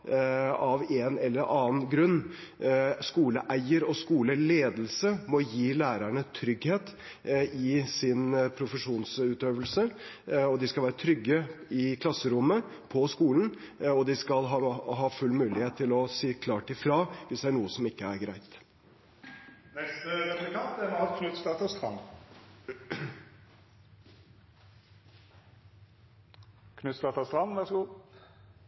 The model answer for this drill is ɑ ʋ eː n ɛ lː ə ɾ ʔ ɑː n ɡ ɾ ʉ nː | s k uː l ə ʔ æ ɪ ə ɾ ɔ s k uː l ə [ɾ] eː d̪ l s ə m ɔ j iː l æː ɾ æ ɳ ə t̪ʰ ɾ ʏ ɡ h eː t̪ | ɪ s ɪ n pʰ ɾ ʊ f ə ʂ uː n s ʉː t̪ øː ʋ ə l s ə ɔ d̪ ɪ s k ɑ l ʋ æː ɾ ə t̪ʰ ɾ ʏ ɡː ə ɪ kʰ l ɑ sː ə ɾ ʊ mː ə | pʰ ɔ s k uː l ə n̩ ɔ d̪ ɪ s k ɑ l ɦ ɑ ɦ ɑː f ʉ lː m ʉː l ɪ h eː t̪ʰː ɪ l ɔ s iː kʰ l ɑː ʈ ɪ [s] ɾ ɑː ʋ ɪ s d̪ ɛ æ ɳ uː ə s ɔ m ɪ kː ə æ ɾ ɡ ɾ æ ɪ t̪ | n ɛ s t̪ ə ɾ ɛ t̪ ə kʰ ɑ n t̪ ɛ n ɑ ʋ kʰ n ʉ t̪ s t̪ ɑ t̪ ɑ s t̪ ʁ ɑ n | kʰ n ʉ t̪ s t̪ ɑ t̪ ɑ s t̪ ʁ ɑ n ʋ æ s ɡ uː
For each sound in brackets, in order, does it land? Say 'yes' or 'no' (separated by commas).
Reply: no, no